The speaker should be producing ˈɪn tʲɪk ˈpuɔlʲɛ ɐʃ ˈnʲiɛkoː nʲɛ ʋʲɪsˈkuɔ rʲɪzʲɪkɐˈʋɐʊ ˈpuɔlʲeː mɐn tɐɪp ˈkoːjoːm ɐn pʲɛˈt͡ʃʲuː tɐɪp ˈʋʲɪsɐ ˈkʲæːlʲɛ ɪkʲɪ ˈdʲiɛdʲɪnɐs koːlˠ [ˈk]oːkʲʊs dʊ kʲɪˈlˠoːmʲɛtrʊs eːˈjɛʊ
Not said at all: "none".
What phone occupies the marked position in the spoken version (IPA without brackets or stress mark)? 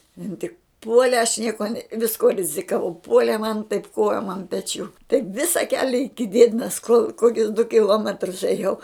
k